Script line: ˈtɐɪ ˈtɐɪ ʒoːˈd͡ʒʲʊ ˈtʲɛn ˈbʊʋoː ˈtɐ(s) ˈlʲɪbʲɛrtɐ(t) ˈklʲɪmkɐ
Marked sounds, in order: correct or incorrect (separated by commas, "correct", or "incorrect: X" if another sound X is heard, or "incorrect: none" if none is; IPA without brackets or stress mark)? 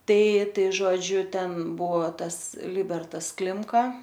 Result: correct, incorrect: s